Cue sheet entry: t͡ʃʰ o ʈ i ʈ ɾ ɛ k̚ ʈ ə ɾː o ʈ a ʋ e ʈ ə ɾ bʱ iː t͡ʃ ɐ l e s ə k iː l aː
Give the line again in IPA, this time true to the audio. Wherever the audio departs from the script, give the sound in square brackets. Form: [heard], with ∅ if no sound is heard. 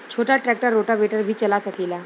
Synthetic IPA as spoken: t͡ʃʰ o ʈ [a] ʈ ɾ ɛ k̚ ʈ ə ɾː o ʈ a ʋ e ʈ ə ɾ bʱ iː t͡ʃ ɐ l [a] s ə k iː l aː